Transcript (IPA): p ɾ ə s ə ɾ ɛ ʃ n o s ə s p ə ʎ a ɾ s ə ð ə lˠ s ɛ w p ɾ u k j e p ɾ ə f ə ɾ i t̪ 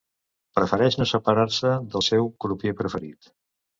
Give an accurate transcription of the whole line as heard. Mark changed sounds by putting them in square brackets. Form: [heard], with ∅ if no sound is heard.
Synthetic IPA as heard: p ɾ ə [f] ə ɾ ɛ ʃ n o s ə [∅] p ə [ɾ] a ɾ s ə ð ə lˠ s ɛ w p ɾ u [p] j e p ɾ ə f ə ɾ i t̪

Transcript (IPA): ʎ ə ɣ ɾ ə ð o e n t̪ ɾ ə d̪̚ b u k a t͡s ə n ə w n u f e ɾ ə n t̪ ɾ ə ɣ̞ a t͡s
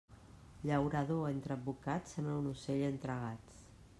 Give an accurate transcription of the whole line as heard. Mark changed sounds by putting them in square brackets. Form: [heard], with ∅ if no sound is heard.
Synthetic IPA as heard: ʎ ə [w] ɾ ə ð o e n t̪ ɾ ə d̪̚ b u k a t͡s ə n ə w n u [s] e [ʎ] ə n t̪ ɾ ə ɣ̞ a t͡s

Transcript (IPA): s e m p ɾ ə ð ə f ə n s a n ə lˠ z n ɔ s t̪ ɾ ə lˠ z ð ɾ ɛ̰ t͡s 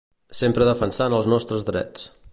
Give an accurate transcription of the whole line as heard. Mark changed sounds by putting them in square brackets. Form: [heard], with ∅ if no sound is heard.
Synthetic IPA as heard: s e m p ɾ ə ð ə f ə n s a n ə lˠ z n ɔ s t̪ ɾ ə [∅] z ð ɾ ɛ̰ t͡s

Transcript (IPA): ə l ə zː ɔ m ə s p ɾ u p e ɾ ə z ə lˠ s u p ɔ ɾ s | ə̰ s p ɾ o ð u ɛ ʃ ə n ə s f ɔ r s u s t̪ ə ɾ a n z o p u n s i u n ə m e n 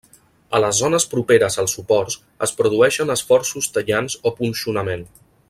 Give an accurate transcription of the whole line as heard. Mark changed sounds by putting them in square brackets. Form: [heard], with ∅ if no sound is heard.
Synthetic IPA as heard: ə l ə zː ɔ [n] ə s p ɾ u p e ɾ ə z ə lˠ s u p ɔ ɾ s | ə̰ s p ɾ [u] ð u ɛ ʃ ə n ə s f ɔ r s u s t̪ ə [ʎ] a n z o p u n s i u n ə m e n

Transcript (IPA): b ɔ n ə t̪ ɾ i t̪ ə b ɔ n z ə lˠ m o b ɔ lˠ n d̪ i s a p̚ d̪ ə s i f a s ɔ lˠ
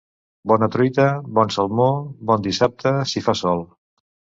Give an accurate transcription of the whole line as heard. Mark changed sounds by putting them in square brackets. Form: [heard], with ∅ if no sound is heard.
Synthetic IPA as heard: b ɔ n ə t̪ ɾ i t̪ ə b ɔ n [s] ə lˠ m o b ɔ [∅] n d̪ i s a p̚ [t̪] ə s i f a s ɔ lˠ

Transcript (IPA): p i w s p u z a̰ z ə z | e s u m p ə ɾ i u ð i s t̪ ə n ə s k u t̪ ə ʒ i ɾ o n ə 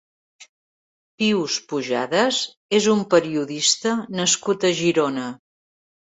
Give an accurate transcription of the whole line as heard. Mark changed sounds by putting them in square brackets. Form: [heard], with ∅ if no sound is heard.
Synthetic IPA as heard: p i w s p u [ʒ] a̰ [ð] ə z | e [z] u m p ə ɾ i u ð i s t̪ ə n ə s k u t̪ ə ʒ i ɾ o n ə

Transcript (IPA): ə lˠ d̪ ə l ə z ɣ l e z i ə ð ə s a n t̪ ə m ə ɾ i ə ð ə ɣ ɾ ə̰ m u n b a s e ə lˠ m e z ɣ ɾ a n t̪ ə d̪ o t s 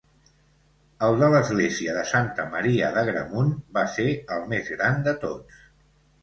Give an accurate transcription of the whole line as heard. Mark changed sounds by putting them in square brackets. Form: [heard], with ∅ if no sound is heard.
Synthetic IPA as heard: ə lˠ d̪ ə l ə z ɣ l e z i ə ð ə s a n t̪ ə m ə ɾ i ə ð ə ɣ ɾ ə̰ m u n b a s e ə lˠ m e z ɣ ɾ a n [d̪] ə [t̪] o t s

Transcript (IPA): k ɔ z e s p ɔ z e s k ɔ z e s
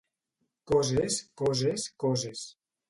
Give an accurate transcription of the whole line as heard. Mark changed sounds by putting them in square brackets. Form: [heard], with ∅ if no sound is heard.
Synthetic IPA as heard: k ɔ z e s [k] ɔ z e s k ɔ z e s

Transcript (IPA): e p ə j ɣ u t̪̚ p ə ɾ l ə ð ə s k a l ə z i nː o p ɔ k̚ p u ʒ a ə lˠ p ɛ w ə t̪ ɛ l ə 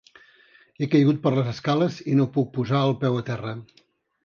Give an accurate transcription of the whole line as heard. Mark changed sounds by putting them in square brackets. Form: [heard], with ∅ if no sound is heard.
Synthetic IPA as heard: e [k] ə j ɣ u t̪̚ p ə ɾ l ə [z] ə s k a l ə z i [n] o p [u] k̚ p u [z] a ə lˠ p ɛ w ə t̪ ɛ [r] ə

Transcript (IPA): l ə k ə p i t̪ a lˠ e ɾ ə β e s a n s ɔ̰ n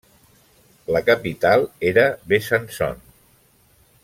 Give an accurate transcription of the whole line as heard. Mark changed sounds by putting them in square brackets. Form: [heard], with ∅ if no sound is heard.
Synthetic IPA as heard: l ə k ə p i t̪ a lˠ e ɾ ə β e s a n s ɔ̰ n

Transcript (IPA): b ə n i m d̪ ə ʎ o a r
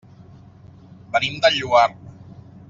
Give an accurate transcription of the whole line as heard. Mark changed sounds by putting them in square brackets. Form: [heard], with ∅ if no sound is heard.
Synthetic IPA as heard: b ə n i m d̪ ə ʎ [u] a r

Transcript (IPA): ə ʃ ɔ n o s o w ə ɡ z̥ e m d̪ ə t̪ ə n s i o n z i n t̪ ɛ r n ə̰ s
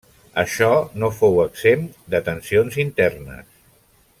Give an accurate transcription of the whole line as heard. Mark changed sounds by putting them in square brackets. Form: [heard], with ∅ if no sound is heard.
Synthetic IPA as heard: ə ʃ ɔ n o [f] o w ə ɡ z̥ e m d̪ ə t̪ ə n s i o n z i n t̪ ɛ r n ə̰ s

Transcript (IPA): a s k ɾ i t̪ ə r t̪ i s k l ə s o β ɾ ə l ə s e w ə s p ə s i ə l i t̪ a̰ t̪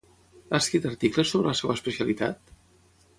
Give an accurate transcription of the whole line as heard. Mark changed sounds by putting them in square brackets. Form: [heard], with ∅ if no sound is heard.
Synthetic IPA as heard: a s k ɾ i t̪ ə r t̪ i [∅] k l ə s o β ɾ ə l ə s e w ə s p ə s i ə l i t̪ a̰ t̪

